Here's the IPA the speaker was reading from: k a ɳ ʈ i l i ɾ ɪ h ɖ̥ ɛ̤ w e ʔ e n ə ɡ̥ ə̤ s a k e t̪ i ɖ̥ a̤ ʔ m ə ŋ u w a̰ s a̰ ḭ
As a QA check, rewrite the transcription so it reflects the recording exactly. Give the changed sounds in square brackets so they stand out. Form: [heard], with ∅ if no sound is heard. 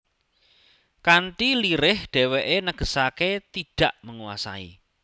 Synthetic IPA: k a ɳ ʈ i l i ɾ ɪ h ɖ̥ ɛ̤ w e ʔ e n ə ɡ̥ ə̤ s a k e t̪ i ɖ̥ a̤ ʔ m ə ŋ u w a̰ s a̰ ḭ